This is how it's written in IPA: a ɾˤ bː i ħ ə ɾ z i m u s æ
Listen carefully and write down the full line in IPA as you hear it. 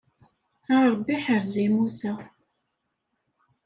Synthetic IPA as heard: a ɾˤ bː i ħ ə ɾ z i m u s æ